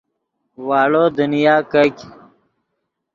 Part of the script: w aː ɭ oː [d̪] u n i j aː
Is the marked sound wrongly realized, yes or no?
no